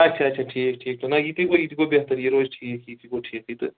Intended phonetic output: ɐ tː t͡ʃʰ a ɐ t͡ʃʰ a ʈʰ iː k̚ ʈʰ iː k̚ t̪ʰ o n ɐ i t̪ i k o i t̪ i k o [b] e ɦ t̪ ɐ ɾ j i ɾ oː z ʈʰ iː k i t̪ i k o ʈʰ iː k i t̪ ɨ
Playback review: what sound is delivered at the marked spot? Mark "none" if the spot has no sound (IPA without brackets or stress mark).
b